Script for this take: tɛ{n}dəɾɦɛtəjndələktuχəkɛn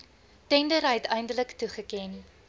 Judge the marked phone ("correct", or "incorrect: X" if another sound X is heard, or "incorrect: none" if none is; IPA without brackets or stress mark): correct